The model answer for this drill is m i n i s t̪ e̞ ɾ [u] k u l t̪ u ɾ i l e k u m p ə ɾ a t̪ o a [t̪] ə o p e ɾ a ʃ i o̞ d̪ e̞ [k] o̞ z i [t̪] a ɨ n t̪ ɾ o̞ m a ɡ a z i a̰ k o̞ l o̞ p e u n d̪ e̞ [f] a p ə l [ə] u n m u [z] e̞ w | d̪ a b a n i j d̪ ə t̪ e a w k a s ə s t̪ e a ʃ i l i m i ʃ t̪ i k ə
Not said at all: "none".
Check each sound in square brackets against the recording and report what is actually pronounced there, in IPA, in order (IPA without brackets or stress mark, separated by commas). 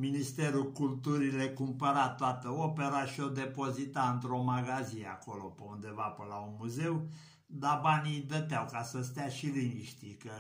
u, t̪, p, t̪, v, a, z